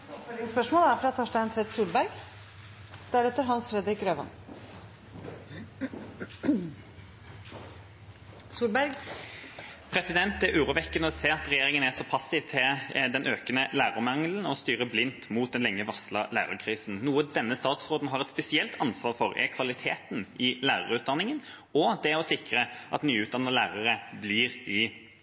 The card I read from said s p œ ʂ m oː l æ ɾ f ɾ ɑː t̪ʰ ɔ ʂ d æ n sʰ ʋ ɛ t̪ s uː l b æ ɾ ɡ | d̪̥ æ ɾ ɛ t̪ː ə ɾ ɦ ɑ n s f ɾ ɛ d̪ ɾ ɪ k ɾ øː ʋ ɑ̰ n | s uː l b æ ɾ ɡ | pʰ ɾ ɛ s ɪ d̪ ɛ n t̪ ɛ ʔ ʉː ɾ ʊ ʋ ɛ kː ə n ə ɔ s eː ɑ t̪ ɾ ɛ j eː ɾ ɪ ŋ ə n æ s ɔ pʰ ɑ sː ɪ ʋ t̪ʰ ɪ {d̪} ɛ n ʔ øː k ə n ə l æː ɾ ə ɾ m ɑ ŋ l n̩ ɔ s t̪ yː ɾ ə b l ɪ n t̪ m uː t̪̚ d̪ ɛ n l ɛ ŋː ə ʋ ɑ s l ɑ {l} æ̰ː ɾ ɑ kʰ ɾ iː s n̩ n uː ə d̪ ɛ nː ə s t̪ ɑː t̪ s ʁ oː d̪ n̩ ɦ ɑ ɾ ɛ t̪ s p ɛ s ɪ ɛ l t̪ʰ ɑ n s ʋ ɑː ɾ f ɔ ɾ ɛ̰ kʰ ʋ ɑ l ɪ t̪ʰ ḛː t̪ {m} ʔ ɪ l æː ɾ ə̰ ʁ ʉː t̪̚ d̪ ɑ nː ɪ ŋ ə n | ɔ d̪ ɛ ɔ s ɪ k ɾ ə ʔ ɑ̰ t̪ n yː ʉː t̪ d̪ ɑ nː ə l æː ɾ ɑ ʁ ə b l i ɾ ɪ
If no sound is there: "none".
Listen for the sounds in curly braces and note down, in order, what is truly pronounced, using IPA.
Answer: d̪, l, n

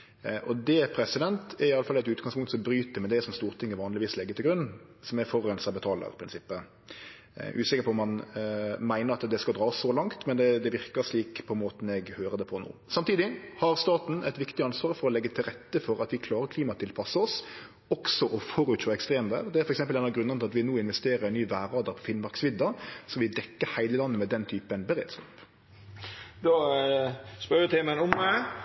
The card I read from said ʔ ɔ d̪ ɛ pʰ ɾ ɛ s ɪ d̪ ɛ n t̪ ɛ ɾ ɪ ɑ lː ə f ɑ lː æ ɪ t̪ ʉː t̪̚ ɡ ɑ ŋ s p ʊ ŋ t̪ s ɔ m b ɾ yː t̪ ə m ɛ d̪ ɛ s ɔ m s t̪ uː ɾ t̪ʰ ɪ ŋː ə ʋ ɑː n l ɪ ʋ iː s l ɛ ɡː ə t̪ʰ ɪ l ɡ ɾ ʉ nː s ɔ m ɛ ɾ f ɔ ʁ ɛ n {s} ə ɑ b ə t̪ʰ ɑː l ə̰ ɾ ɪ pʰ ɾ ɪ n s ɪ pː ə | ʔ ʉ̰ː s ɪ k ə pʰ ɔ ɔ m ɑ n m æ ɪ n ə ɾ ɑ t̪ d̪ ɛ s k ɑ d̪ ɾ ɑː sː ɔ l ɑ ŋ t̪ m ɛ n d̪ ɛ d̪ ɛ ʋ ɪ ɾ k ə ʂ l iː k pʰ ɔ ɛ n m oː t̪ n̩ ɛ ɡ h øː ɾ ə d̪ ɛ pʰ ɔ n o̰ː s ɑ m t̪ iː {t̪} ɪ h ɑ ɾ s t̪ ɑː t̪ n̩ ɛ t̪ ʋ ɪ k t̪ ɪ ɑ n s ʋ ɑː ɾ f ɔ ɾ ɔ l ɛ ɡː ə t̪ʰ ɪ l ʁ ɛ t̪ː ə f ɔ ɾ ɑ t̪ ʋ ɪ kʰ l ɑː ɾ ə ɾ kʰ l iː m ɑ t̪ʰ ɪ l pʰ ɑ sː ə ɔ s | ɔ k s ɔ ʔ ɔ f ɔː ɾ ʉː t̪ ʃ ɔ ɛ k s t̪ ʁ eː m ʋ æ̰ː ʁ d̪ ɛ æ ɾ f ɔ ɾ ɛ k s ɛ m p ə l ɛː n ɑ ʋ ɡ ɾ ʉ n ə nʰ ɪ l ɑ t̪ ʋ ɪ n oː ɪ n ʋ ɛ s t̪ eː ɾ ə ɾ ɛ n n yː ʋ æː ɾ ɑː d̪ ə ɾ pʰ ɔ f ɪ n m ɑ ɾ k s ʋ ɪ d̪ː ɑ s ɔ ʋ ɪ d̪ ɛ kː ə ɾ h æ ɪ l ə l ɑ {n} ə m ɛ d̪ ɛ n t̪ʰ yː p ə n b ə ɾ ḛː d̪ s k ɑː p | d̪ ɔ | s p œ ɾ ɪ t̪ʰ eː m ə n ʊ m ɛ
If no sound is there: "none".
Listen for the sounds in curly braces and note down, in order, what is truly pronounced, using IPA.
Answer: s, d̪, nː

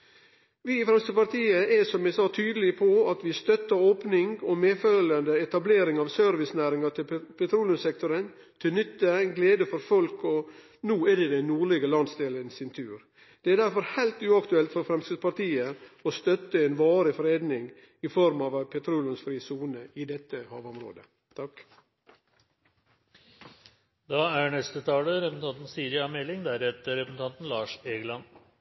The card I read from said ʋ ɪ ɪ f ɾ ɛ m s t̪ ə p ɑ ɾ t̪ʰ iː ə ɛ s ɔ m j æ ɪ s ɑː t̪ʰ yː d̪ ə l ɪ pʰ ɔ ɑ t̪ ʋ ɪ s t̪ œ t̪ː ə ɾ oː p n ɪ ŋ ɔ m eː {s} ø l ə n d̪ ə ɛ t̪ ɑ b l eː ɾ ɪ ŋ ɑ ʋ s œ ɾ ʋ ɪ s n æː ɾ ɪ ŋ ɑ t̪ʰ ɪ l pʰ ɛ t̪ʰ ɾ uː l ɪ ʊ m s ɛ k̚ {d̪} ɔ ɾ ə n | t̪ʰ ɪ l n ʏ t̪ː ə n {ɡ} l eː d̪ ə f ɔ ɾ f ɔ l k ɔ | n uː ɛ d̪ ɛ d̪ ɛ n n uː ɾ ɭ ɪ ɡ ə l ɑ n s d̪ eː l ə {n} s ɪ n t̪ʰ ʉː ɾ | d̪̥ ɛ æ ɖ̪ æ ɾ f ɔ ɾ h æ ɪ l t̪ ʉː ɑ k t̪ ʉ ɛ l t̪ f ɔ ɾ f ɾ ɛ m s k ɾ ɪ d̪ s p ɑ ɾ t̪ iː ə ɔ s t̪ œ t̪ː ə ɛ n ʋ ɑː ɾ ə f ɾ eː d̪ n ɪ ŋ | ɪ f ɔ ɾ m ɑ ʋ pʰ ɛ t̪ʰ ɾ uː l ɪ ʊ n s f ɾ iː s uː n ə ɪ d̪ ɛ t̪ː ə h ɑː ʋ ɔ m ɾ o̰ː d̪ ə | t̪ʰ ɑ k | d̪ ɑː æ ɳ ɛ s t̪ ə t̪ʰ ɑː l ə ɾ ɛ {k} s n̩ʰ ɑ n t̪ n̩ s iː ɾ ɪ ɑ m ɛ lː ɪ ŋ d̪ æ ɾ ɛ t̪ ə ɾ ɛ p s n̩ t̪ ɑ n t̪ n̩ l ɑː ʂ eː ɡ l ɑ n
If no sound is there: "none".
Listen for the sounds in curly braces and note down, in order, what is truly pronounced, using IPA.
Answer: f, t̪, ɡ, n, p

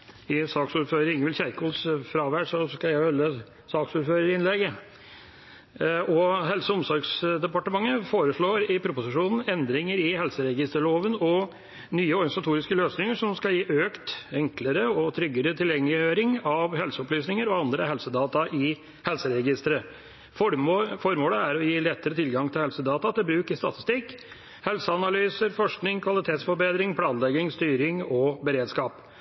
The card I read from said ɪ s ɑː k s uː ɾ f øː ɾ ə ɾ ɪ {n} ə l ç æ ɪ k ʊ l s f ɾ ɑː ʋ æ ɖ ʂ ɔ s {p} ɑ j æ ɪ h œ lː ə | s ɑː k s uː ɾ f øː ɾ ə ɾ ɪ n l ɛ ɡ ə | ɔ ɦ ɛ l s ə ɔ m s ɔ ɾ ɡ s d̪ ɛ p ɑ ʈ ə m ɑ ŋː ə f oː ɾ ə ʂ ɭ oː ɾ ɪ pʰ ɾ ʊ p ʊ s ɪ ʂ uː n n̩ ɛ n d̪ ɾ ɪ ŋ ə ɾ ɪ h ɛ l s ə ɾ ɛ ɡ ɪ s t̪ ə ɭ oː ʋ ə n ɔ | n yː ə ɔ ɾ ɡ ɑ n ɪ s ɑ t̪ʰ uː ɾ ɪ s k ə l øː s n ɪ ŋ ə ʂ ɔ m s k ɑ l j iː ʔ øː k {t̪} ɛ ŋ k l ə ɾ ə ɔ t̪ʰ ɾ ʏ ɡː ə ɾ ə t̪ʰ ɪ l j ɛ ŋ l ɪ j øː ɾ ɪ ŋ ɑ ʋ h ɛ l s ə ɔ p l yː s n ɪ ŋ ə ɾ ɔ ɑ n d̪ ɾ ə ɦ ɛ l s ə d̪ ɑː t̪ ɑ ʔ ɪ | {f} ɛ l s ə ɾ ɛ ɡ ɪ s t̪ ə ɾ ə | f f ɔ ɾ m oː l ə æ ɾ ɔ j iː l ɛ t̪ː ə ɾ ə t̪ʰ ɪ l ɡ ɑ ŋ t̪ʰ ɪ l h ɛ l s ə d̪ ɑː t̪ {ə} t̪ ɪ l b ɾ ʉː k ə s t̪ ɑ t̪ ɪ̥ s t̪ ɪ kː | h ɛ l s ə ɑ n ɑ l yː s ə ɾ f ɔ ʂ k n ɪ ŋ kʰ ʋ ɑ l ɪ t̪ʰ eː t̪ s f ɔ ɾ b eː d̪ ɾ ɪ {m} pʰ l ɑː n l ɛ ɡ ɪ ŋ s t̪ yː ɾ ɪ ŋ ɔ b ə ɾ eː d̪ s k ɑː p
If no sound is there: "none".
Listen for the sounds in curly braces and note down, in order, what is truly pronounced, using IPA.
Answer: ŋ, k, t̪, h, ɑ, ŋ

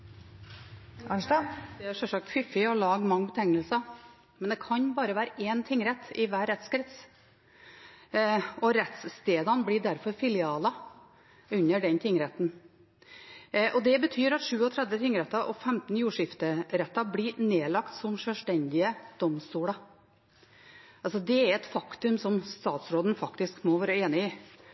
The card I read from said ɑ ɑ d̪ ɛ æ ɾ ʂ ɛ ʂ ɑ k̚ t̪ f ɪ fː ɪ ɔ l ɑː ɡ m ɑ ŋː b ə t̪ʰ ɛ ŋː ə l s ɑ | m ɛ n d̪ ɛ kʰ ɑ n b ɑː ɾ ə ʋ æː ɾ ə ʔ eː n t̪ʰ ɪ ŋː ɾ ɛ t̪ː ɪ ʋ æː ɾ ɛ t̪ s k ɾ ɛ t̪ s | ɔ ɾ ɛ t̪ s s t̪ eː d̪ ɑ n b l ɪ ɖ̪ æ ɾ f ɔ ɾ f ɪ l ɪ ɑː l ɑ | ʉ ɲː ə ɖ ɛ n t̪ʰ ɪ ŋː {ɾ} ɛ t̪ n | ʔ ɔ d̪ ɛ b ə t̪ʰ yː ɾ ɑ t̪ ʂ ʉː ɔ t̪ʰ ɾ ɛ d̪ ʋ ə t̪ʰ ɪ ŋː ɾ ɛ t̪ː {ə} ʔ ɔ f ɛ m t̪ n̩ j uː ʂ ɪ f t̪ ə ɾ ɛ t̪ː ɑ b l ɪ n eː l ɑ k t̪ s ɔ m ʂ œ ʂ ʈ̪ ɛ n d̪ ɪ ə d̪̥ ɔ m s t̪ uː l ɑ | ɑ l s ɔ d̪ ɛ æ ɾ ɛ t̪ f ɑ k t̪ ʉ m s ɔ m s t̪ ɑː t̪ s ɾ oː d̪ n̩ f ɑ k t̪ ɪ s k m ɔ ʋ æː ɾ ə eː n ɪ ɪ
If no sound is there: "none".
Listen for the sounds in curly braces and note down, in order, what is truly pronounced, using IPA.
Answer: ɾ, ɑ

